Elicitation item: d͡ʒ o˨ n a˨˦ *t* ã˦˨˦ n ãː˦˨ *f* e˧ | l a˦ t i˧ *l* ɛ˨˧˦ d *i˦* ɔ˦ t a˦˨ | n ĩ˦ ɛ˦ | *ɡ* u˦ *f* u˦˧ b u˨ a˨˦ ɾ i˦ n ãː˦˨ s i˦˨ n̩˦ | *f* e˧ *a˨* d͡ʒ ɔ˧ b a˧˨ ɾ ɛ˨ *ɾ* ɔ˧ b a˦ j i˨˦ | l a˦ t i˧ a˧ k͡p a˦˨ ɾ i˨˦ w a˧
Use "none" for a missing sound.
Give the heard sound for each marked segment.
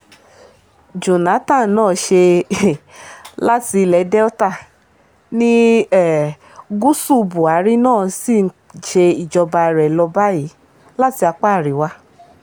t, ʃ, l, ɛ˦, ɡ, s, ʃ, i˨, l

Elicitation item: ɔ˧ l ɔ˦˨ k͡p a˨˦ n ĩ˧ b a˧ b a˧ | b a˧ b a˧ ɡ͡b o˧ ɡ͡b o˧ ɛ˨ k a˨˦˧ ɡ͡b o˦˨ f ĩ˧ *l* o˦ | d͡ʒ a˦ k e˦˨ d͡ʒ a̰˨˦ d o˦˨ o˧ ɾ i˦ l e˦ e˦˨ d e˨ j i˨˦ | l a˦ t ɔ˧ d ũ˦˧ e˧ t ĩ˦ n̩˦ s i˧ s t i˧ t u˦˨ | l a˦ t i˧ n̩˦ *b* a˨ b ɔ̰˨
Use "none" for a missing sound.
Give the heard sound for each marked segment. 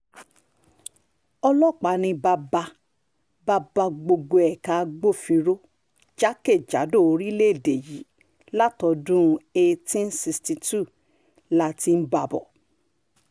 ɾ, b

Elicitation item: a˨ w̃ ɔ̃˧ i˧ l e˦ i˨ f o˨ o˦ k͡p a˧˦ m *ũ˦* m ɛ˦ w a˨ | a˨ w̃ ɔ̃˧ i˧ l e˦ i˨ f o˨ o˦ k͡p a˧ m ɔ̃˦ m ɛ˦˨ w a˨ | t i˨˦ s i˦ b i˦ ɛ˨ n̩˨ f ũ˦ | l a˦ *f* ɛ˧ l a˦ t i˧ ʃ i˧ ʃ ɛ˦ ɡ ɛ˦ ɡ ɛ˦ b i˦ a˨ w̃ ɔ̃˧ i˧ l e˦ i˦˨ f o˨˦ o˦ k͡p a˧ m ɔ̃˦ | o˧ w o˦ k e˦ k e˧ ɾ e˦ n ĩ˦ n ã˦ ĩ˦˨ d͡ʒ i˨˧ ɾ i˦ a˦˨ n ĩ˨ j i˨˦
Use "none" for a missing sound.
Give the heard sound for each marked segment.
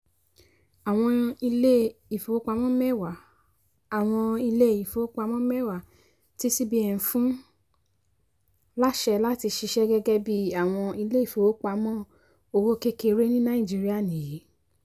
ɔ̃˦, ʃ

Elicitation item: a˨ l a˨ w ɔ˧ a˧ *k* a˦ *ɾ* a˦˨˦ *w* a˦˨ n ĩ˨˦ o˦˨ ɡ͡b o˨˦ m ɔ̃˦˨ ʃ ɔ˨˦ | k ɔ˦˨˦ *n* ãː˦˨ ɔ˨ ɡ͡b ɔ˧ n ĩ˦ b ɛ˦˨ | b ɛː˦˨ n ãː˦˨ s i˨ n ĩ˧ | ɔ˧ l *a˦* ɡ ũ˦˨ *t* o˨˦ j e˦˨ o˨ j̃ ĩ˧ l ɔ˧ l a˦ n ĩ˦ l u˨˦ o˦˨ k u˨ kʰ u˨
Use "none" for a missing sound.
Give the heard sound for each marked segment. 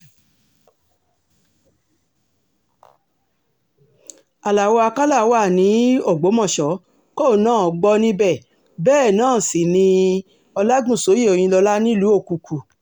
k, l, w, n, a˦, s

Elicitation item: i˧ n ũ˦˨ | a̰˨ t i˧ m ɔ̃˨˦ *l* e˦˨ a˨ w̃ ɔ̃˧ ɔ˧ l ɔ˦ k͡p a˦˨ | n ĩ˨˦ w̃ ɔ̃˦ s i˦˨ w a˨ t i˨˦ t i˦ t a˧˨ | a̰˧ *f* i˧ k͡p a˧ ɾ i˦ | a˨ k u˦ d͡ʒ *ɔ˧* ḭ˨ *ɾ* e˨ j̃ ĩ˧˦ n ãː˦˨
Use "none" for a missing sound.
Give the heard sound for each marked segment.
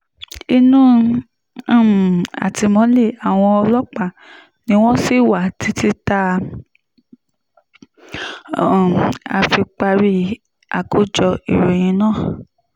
l, f, ɔ˧, ɾ

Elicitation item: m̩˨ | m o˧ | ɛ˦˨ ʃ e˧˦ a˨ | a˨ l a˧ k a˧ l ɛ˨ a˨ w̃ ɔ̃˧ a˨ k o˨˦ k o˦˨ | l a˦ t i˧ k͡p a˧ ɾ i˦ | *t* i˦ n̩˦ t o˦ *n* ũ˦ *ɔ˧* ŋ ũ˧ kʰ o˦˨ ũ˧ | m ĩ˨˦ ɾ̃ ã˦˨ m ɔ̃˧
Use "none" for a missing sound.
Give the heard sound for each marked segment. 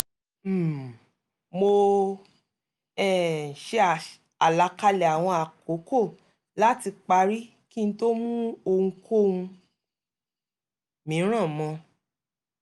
k, m, o˧

